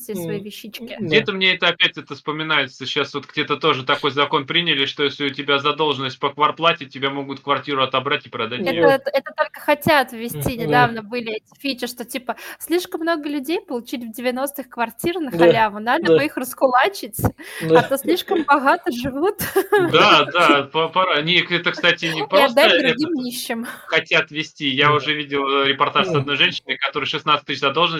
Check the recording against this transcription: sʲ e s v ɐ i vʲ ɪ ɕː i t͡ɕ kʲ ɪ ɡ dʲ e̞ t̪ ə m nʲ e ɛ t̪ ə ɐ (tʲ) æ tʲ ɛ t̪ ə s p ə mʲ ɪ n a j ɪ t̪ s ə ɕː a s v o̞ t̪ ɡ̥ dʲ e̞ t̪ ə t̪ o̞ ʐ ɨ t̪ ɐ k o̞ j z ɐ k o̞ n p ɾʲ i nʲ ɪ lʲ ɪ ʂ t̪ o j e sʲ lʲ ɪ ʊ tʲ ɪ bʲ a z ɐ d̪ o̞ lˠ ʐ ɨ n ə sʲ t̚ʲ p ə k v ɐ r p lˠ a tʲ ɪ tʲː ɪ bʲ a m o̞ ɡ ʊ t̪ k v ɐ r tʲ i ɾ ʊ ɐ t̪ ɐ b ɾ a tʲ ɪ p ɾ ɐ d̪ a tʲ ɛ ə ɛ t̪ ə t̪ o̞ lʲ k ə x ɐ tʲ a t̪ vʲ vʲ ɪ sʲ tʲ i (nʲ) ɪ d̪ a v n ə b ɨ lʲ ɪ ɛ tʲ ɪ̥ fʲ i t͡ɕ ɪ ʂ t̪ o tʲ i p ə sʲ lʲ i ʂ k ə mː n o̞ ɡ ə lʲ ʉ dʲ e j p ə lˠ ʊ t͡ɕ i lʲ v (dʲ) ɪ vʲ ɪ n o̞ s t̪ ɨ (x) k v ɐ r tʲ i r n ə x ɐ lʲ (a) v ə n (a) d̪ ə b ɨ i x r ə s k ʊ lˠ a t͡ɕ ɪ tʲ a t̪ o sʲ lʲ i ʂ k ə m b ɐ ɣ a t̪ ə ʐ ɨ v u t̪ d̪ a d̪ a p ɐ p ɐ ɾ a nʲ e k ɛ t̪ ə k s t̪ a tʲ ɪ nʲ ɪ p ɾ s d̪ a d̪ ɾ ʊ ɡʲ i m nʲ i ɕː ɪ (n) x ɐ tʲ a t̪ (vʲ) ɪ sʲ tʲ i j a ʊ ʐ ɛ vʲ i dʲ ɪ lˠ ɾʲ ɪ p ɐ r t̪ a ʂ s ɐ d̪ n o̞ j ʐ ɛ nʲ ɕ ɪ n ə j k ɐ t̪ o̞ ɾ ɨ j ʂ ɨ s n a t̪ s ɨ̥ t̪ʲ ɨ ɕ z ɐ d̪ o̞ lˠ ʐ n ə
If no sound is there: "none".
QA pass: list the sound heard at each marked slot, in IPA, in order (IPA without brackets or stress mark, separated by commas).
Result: pʲ, nʲ, dʲ, x, a, a, m, vʲ